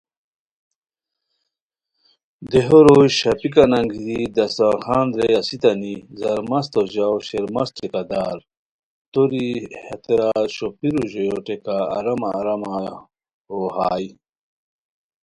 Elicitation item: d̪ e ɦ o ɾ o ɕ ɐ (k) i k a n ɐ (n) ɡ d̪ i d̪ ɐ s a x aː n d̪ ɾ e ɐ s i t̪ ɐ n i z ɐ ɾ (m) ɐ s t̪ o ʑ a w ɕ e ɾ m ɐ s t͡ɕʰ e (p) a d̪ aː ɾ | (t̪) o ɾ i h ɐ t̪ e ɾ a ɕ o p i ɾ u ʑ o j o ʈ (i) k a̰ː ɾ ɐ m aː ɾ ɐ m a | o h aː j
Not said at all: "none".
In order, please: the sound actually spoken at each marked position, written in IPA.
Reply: p, ŋ, m, k, t̪, e

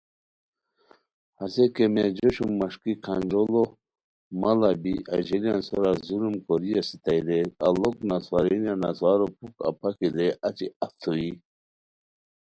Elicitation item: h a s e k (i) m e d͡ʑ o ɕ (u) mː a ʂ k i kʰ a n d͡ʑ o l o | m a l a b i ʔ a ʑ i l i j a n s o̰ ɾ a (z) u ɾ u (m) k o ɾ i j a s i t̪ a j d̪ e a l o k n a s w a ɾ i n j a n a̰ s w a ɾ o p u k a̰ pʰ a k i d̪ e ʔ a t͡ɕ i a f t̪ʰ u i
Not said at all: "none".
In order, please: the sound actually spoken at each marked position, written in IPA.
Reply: e, u, z, m

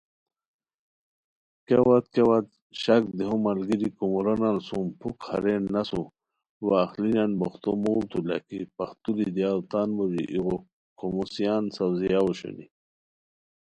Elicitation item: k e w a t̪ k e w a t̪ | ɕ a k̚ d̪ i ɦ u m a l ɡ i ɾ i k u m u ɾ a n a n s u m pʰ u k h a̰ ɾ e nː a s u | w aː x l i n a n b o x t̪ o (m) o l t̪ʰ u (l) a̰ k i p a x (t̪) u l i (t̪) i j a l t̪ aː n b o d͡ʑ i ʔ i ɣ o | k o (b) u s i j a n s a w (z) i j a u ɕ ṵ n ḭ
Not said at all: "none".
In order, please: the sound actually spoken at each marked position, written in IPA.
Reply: m, l, t̪, d̪, m, z

